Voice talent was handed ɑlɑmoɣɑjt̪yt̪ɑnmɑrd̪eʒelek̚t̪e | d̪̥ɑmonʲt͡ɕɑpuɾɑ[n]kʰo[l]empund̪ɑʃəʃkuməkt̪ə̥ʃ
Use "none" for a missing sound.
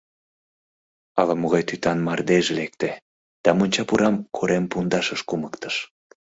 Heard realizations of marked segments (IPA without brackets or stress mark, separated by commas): m, ɾ